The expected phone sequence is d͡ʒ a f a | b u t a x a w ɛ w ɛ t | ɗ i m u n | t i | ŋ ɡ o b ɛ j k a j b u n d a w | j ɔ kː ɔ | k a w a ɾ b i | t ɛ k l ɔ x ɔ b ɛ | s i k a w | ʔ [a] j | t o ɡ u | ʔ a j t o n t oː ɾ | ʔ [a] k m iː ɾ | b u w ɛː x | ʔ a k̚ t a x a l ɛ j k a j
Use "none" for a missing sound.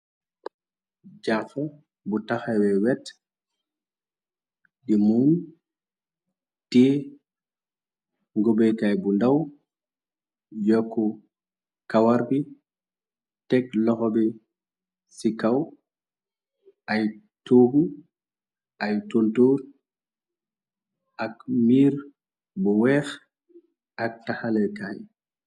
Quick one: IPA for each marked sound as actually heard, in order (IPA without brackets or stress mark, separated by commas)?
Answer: a, a